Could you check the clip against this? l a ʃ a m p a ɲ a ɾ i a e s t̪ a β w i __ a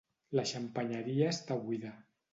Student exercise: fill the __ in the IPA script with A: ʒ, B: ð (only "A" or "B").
B